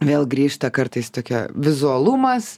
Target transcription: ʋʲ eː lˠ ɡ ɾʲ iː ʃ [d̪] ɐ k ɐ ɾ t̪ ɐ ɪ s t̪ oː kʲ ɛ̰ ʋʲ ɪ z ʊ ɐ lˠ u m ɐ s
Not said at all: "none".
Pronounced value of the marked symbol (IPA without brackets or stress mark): t̪